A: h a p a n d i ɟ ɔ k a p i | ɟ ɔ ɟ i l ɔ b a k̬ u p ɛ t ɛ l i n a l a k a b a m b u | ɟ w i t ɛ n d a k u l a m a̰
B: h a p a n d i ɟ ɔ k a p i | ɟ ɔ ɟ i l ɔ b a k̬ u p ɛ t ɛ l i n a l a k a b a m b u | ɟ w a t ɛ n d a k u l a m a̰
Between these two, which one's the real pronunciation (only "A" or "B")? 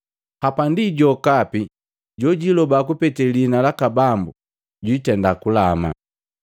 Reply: A